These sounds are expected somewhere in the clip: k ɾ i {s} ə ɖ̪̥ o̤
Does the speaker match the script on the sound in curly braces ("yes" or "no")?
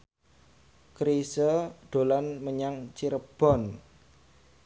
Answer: yes